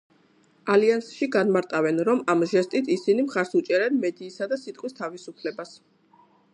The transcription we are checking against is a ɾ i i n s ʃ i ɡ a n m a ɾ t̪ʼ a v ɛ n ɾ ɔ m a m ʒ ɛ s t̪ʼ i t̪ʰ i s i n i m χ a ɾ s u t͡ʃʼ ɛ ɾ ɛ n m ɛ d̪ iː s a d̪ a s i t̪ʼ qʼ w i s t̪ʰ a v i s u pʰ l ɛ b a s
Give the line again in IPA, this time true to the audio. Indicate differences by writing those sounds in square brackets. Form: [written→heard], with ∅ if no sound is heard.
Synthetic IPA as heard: a [ɾ→l] i [i→a] n s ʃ i ɡ a n m a ɾ t̪ʼ a v ɛ n ɾ ɔ m a m ʒ ɛ s t̪ʼ i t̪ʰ i s i n i m χ a ɾ s u t͡ʃʼ ɛ ɾ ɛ n m ɛ d̪ iː s a d̪ a s i t̪ʼ qʼ w i s t̪ʰ a v i s u pʰ l ɛ b a s

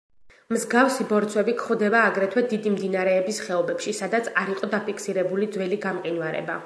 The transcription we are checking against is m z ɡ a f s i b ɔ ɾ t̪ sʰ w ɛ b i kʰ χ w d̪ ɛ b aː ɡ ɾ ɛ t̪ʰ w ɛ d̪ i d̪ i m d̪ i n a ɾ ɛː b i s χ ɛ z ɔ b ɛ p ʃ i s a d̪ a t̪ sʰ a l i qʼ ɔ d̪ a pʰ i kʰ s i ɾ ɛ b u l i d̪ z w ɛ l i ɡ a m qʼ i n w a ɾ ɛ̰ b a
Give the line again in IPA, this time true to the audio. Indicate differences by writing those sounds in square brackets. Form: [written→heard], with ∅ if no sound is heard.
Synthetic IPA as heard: m z ɡ a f s i b ɔ ɾ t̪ sʰ w ɛ b i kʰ χ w d̪ ɛ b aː ɡ ɾ ɛ t̪ʰ w ɛ d̪ i d̪ i m d̪ i n a ɾ ɛː b i s χ ɛ [z→∅] ɔ b ɛ p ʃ i s a d̪ a t̪ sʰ a [l→ɾ] i qʼ ɔ d̪ a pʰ i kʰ s i ɾ ɛ b u l i d̪ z w ɛ l i ɡ a m qʼ i n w a ɾ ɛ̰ b a

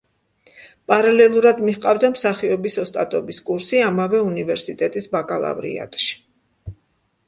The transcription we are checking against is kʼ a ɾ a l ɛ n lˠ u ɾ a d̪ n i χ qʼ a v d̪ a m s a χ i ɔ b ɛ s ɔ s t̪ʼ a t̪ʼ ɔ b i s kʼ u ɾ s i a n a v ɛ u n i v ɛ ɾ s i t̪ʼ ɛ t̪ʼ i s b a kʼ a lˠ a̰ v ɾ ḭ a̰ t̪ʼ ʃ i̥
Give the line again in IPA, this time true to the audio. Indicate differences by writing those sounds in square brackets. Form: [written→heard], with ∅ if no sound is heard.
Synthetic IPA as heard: [kʼ→pʼ] a ɾ a l ɛ [n→∅] lˠ u ɾ a d̪ [n→m] i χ qʼ a v d̪ a m s a χ i ɔ b [ɛ→i] s ɔ s t̪ʼ a t̪ʼ ɔ b i s kʼ u ɾ s i a [n→m] a v ɛ u n i v ɛ ɾ s i t̪ʼ ɛ t̪ʼ i s b a kʼ a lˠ a̰ v ɾ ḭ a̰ t̪ʼ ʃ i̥

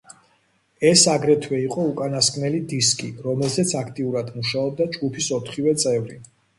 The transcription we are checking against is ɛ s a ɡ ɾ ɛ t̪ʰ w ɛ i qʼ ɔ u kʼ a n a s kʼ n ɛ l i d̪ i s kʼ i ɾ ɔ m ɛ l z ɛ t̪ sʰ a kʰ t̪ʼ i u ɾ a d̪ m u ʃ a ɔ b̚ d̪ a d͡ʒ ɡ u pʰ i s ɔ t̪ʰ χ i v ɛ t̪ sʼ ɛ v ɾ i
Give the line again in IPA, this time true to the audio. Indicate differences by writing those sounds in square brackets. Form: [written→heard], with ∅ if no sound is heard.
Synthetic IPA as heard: ɛ s a ɡ ɾ ɛ t̪ʰ w ɛ i qʼ ɔ u kʼ a n a s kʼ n ɛ l i d̪ i s kʼ i ɾ ɔ m ɛ l z ɛ t̪ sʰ a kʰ t̪ʼ i u ɾ a d̪ m u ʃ a ɔ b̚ d̪ a d͡ʒ ɡ u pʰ i s ɔ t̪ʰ χ i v ɛ t̪ sʼ ɛ v ɾ i

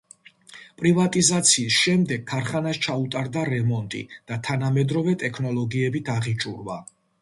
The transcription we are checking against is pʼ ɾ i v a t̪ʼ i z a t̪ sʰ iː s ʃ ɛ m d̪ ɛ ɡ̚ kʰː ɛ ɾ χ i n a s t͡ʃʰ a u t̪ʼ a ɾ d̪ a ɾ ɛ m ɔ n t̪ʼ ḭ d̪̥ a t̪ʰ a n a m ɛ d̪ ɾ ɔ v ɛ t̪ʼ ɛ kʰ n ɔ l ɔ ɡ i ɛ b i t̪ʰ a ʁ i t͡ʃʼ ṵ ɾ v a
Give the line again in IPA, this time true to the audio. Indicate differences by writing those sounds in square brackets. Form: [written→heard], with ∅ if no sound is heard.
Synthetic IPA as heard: pʼ ɾ i v a t̪ʼ i z a t̪ sʰ iː s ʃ ɛ m d̪ ɛ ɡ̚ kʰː [ɛ→a] ɾ χ [i→a] n a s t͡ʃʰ a u t̪ʼ a ɾ d̪ a ɾ ɛ m ɔ n t̪ʼ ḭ d̪̥ a t̪ʰ a n a m ɛ d̪ ɾ ɔ v ɛ t̪ʼ ɛ kʰ n ɔ l ɔ ɡ i ɛ b i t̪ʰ a ʁ i t͡ʃʼ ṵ ɾ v a

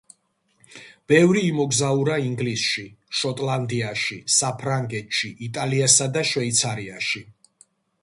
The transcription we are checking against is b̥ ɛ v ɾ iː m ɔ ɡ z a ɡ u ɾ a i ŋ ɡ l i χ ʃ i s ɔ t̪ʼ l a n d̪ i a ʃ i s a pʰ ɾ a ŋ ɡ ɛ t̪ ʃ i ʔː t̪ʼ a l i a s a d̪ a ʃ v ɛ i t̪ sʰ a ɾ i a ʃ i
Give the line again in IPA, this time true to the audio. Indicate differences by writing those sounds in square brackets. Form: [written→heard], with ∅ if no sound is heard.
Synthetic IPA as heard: b̥ ɛ v ɾ iː m ɔ ɡ z a [ɡ→∅] u ɾ a i ŋ ɡ l i [χ→s] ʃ i [s→ʃ] ɔ t̪ʼ l a n d̪ i a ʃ i s a pʰ ɾ a ŋ ɡ ɛ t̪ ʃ i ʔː t̪ʼ a l i a s a d̪ a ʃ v ɛ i t̪ sʰ a ɾ i a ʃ i

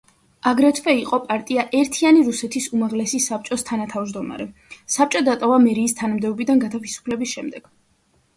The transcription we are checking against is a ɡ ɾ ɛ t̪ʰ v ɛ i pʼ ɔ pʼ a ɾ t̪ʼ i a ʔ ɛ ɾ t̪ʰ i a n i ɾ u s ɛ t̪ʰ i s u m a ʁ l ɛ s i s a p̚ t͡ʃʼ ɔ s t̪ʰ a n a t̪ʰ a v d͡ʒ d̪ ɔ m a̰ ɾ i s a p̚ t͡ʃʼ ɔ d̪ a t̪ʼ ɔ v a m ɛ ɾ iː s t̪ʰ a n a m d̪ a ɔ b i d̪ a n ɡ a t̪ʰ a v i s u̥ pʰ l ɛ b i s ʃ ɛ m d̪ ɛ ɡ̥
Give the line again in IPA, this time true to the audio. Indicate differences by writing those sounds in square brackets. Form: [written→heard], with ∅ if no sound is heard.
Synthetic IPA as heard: a ɡ ɾ ɛ t̪ʰ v ɛ i [pʼ→qʼ] ɔ pʼ a ɾ t̪ʼ i a ʔ ɛ ɾ t̪ʰ i a n i ɾ u s ɛ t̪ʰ i s u m a ʁ l ɛ s i s a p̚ t͡ʃʼ ɔ s t̪ʰ a n a t̪ʰ a v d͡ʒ d̪ ɔ m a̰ ɾ [i→ɛ] s a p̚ t͡ʃʼ ɔ d̪ a t̪ʼ ɔ v a m ɛ ɾ iː s t̪ʰ a n a m d̪ [a→ɛ] ɔ b i d̪ a n ɡ a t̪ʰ a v i s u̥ pʰ l ɛ b i s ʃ ɛ m d̪ ɛ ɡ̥

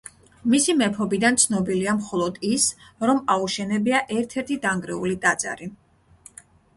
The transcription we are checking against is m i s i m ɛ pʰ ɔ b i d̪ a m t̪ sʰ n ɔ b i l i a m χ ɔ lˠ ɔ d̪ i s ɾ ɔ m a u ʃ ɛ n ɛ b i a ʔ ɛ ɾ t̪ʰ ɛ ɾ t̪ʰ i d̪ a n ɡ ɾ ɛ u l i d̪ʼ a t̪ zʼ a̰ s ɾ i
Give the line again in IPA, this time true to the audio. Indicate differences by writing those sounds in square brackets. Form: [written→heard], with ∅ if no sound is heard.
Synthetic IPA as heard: m i s i m ɛ pʰ ɔ b i d̪ a [m→n] t̪ sʰ n ɔ b i l i a m χ ɔ lˠ ɔ d̪ i s ɾ ɔ m a u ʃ ɛ n ɛ b i a ʔ ɛ ɾ t̪ʰ ɛ ɾ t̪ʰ i d̪ a [n→ŋ] ɡ ɾ ɛ u l i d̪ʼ a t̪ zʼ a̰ [s→∅] ɾ i

